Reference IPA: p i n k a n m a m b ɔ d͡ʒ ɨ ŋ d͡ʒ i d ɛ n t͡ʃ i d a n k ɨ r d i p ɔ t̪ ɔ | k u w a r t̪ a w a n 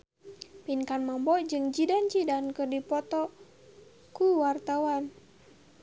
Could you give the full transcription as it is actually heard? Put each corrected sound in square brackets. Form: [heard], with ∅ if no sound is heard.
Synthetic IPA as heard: p i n k a n m a m b ɔ d͡ʒ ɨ ŋ d͡ʒ i d [a] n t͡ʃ i d a n k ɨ r d i p ɔ t̪ ɔ | k u w a r t̪ a w a n